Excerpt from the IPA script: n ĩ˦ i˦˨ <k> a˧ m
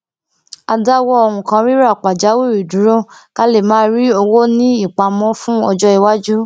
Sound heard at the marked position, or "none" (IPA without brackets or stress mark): k͡p